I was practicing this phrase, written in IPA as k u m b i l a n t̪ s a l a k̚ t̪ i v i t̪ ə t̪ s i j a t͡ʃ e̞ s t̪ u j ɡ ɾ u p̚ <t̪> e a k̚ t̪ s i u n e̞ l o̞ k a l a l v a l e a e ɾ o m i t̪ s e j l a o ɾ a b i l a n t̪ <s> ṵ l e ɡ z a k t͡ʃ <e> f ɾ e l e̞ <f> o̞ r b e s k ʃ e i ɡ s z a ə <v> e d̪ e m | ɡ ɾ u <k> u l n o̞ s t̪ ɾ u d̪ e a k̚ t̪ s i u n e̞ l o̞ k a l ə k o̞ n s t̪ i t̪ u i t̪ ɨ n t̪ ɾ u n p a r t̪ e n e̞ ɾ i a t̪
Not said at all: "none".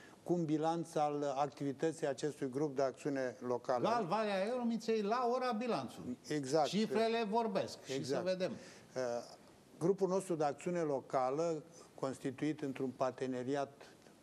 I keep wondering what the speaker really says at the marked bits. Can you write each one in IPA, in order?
d̪, s, i, v, v, p

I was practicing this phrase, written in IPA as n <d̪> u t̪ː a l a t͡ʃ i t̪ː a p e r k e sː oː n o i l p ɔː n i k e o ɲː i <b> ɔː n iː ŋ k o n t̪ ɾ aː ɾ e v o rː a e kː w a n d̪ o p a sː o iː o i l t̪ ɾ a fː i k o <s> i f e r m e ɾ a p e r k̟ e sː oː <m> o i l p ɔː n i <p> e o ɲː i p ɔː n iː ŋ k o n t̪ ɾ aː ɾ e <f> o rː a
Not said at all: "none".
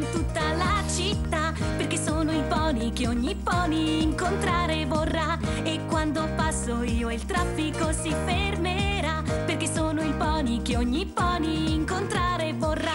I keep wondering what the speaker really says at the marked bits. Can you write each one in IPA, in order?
t̪, p, s, n, k, v

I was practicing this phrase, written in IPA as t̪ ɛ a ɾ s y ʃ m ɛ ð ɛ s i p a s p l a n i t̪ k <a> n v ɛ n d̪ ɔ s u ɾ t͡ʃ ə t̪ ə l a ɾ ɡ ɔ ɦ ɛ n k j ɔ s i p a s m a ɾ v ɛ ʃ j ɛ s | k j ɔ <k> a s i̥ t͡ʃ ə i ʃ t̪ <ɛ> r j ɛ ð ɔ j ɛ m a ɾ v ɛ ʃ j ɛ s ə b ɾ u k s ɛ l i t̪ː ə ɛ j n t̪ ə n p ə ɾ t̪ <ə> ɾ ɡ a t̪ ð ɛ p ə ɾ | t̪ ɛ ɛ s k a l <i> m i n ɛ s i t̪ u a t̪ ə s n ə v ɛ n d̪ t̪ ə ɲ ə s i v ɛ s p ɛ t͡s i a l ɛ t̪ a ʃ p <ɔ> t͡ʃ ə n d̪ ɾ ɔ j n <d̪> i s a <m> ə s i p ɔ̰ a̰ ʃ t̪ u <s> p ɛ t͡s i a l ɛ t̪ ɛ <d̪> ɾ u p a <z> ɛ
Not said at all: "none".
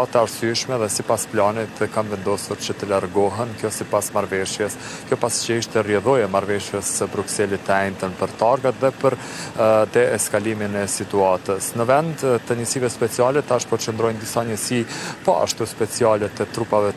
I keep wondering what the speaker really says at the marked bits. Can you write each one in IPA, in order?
a, p, ɛ, a, i, ɔ, d̪, ɲ, s, t̪, v

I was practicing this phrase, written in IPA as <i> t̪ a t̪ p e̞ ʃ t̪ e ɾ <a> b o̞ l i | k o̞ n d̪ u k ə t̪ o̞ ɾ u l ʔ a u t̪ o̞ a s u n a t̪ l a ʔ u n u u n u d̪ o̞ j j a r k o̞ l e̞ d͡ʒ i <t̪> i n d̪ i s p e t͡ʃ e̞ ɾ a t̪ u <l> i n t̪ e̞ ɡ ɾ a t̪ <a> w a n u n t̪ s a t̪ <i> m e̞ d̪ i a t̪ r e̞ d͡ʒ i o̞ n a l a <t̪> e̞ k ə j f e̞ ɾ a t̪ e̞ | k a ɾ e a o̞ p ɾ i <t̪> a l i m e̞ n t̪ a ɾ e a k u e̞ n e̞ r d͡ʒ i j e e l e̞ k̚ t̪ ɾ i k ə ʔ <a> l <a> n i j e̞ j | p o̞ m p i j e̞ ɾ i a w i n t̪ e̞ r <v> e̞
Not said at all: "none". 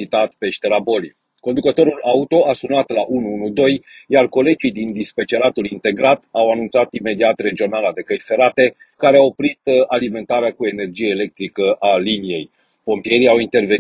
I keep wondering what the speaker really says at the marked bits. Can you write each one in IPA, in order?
i, a, d̪, l, a, i, d̪, t̪, a, i, v

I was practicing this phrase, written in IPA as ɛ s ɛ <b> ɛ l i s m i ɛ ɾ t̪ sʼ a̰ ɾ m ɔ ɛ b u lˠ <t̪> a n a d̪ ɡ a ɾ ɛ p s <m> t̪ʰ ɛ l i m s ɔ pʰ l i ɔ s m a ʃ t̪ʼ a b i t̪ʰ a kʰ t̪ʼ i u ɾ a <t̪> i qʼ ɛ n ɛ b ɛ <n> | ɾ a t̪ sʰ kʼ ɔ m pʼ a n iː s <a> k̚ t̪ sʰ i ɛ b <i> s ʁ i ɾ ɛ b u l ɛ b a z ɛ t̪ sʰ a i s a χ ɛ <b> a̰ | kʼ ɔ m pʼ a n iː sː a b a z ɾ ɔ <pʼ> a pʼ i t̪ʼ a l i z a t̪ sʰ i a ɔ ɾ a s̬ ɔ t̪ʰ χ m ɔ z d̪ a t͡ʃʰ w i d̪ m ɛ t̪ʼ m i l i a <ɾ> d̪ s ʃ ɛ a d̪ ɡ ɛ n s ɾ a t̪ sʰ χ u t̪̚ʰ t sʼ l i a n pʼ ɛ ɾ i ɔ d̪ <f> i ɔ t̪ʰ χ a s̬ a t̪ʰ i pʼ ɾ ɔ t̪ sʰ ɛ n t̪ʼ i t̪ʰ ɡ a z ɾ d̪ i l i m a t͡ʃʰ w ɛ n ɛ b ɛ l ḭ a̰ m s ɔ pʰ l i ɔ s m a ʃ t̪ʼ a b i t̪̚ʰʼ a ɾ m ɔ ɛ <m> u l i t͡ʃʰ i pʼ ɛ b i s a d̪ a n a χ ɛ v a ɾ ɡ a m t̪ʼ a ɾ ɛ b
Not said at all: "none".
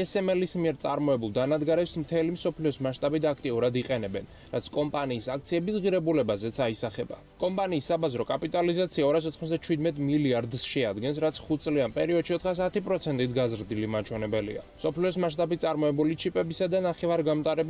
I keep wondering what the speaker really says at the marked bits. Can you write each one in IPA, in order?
m, d̪, m, d̪, n, a, i, b, kʼ, ɾ, ʃ, b

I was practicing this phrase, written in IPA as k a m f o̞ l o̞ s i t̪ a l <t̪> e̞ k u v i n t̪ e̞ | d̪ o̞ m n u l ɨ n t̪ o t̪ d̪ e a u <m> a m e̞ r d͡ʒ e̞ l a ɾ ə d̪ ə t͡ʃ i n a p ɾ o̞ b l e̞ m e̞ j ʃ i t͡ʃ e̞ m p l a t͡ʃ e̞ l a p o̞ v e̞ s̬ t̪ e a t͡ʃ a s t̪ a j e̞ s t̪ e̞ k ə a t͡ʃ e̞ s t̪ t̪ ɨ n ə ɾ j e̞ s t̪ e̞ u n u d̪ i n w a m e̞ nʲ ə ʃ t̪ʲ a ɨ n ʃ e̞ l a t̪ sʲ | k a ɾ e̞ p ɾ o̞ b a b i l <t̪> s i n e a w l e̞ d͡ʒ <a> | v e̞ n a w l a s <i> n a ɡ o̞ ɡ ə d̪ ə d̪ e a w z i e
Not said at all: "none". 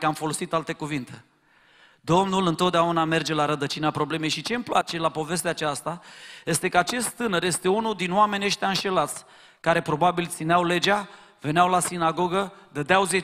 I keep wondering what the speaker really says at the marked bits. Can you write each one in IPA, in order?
t̪, n, t̪, a, i

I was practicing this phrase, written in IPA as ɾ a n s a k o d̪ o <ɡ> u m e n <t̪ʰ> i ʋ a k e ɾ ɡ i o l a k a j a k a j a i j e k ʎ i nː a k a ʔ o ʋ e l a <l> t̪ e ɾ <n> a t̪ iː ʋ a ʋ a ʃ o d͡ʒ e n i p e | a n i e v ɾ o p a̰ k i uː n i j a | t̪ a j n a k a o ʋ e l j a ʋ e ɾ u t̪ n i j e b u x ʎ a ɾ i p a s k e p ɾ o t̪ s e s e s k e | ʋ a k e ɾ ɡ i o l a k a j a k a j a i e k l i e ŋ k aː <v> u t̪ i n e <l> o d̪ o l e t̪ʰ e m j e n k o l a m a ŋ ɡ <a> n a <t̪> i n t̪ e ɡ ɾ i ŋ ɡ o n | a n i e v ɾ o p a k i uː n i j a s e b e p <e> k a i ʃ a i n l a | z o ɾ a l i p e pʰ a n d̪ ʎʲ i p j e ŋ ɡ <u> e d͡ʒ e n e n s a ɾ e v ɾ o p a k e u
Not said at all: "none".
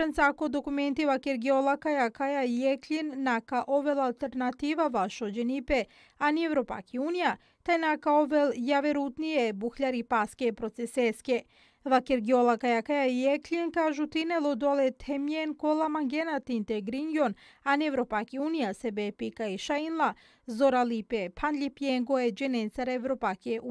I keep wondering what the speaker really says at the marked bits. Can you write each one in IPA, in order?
k, t̪, l, n, ʒ, l, e, t̪, i, o

